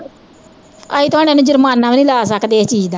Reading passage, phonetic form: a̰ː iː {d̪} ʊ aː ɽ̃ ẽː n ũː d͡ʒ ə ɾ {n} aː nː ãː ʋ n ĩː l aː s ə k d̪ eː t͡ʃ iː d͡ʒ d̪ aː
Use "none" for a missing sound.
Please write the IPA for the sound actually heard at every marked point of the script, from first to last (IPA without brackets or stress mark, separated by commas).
t̪, m